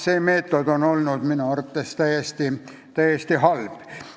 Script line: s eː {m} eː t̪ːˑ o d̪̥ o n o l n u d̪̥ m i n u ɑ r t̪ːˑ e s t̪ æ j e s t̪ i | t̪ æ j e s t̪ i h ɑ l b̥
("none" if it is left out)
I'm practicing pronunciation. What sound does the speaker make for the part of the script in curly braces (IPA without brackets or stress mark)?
m